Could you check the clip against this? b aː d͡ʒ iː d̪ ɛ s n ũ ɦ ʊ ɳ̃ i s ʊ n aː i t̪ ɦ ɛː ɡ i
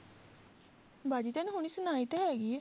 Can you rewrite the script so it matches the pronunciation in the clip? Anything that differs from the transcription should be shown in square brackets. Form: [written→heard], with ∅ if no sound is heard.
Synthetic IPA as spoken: b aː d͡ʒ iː [d̪→t̪] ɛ [s→∅] n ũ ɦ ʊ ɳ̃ i s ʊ n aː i t̪ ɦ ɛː ɡ i